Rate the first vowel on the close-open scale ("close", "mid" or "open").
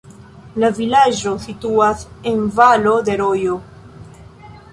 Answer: open